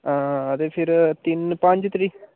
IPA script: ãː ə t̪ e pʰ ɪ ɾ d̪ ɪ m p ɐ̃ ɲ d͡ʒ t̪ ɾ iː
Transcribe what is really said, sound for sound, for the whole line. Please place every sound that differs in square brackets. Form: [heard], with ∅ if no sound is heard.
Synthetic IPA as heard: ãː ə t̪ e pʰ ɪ ɾ [t̪] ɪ [n] p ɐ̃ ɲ d͡ʒ t̪ ɾ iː